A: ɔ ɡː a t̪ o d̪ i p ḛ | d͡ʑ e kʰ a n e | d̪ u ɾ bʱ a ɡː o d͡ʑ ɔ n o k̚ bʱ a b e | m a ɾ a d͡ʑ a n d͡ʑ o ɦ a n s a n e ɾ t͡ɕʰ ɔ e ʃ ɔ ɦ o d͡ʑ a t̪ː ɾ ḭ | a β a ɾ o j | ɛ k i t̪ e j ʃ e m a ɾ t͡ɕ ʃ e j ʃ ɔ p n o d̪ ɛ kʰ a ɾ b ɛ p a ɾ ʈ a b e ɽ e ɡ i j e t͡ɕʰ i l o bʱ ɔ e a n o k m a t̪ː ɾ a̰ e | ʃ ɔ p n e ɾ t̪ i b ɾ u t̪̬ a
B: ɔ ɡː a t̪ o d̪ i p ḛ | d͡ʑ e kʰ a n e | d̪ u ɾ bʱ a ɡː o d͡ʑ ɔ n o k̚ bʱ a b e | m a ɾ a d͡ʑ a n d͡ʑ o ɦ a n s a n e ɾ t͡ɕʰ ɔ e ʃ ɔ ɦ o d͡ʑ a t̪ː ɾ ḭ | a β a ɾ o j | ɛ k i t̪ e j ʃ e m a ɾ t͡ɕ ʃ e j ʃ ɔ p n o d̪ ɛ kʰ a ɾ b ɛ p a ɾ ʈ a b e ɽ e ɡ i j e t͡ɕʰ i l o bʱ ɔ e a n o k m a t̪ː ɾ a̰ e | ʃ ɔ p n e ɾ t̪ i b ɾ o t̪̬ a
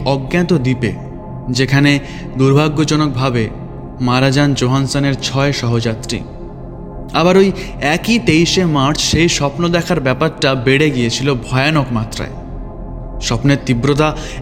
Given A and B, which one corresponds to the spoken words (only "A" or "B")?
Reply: B